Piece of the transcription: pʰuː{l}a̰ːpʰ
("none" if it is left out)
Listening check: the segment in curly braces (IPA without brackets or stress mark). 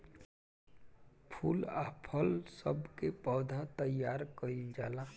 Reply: l